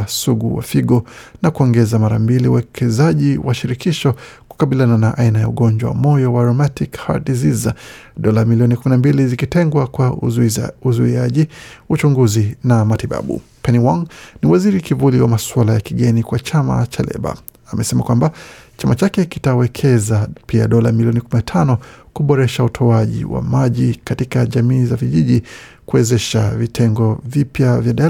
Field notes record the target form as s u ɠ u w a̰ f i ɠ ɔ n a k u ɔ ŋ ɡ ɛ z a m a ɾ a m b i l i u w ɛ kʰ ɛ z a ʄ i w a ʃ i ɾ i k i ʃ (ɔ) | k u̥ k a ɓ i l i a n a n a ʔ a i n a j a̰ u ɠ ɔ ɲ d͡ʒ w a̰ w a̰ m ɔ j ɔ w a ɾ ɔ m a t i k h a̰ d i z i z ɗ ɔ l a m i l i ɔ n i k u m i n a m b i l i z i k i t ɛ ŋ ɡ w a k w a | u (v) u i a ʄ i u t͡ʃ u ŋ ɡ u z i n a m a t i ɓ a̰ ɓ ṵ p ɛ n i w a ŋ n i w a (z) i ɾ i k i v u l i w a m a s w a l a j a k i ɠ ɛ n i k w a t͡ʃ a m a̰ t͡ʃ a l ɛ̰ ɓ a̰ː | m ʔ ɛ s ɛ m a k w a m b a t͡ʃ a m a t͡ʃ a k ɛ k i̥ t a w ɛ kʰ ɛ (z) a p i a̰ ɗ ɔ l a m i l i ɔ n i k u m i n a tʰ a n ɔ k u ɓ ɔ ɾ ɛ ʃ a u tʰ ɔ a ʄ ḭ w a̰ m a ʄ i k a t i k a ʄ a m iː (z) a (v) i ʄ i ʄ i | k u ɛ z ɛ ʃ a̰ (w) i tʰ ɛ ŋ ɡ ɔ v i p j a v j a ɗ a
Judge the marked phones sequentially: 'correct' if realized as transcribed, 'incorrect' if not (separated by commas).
correct, incorrect, correct, correct, correct, correct, incorrect